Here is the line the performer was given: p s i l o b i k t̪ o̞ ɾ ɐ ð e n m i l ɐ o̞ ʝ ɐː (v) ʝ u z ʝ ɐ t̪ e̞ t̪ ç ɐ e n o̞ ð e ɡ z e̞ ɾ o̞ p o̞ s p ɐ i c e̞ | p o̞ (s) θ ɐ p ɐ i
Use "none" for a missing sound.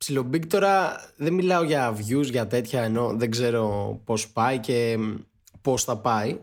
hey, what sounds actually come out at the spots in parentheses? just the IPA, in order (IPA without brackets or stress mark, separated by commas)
v, s